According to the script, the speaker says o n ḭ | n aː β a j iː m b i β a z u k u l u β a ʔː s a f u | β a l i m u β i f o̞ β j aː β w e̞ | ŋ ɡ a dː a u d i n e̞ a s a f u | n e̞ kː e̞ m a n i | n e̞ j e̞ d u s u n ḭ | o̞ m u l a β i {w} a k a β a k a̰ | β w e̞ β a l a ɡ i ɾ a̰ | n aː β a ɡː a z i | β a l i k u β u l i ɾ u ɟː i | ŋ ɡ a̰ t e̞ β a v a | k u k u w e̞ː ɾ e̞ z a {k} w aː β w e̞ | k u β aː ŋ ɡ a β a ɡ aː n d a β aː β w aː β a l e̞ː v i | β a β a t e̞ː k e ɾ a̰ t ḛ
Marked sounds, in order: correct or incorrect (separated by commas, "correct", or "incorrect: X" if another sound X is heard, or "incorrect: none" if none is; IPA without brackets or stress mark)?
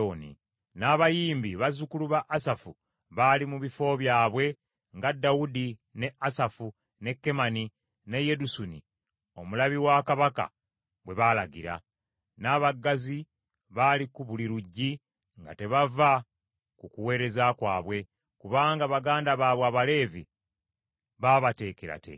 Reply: correct, correct